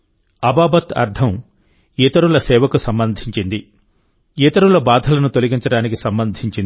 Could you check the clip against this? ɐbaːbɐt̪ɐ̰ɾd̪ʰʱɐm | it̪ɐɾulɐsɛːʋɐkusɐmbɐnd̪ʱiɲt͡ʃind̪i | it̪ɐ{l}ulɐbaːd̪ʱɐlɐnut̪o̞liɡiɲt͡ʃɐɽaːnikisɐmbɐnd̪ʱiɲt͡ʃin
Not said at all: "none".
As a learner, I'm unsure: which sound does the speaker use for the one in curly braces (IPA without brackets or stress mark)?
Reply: ɾ